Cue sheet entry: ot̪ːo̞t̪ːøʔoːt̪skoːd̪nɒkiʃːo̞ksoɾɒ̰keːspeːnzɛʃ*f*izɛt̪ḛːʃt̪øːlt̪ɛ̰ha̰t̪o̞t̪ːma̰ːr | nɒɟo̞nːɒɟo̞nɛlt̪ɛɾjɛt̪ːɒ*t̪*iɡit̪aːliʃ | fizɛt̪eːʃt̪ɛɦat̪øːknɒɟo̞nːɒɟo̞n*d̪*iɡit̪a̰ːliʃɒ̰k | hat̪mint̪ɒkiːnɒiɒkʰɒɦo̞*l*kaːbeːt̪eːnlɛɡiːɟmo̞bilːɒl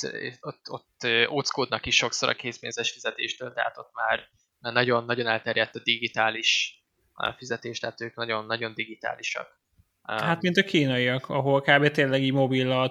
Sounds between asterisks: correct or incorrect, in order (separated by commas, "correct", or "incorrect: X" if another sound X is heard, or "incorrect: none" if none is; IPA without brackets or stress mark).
correct, incorrect: d̪, correct, correct